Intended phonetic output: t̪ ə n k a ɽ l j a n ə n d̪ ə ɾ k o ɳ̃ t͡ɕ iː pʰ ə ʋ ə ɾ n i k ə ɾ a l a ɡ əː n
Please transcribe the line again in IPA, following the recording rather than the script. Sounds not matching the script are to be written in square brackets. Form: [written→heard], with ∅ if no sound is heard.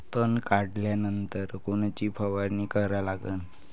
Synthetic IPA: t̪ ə n k a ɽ l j a n ə n [d̪→t̪] ə ɾ k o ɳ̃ t͡ɕ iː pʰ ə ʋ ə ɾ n i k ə ɾ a l a ɡ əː n